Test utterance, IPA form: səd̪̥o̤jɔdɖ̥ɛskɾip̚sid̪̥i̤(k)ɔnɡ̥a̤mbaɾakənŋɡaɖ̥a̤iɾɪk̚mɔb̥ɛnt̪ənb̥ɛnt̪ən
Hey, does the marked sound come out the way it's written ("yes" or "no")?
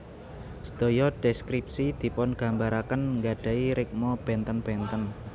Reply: no